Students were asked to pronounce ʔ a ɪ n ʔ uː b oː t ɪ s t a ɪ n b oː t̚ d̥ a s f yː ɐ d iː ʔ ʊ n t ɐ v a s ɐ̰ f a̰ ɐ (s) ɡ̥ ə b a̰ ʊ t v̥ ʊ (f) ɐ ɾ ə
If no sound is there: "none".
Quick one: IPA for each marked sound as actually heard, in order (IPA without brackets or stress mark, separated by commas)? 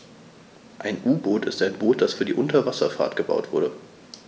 t, none